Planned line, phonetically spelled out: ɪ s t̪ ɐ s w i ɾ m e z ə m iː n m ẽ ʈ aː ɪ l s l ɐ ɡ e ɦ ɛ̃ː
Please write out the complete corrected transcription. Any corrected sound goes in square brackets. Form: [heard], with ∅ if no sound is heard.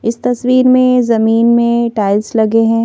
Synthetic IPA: ɪ s t̪ ɐ s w [iː] ɾ m [ẽ] z [ɐ] m iː n m ẽ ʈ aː ɪ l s l ɐ ɡ e ɦ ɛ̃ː